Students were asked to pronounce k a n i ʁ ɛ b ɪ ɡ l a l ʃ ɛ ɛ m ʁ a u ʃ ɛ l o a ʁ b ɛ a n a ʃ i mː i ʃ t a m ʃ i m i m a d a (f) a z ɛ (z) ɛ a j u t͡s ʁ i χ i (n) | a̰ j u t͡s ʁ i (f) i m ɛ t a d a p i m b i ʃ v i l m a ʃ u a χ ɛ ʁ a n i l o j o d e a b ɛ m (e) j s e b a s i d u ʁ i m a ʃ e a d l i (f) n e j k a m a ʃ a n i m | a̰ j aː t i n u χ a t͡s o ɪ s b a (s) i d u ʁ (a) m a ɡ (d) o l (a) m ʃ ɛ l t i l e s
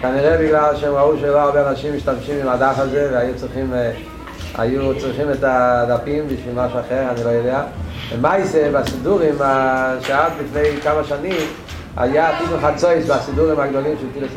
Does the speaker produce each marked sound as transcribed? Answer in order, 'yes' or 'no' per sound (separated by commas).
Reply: yes, no, no, no, no, yes, yes, no, yes, no